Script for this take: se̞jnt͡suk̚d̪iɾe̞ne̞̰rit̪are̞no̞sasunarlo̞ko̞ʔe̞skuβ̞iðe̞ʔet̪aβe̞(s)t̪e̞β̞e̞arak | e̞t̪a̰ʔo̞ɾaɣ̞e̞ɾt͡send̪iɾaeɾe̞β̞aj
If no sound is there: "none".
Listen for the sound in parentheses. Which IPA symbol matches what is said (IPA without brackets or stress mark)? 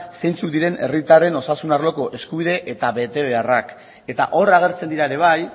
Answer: none